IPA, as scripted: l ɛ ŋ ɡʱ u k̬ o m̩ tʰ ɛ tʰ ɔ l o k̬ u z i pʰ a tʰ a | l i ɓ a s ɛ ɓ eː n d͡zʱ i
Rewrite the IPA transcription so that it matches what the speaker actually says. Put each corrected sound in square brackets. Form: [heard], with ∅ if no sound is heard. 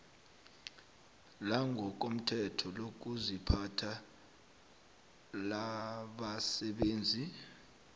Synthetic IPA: l [a] ŋ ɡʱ [ɔ] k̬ o m̩ tʰ ɛ tʰ ɔ l o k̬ u z i pʰ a tʰ a | l [a] ɓ a s ɛ ɓ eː n d͡zʱ i